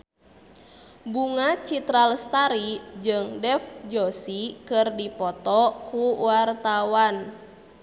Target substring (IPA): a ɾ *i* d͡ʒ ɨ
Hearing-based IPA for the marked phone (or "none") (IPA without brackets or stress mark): i